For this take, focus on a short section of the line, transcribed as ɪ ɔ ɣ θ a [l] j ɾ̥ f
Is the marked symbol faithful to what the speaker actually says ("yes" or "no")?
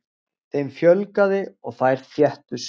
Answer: no